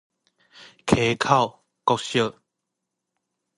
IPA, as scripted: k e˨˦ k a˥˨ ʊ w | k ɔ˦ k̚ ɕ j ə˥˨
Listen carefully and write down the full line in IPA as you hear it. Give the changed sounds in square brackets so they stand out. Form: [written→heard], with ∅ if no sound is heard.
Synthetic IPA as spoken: [k→kʰ] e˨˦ [k→kʰ] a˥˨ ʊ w | k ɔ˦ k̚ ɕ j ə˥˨